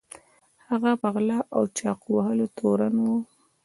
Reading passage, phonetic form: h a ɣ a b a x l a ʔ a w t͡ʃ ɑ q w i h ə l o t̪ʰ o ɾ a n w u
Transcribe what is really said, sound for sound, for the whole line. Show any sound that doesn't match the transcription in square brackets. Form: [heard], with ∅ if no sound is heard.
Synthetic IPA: h a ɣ a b a [ɣ] l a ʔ a w t͡ʃ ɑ q w [a] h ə l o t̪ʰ o ɾ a n w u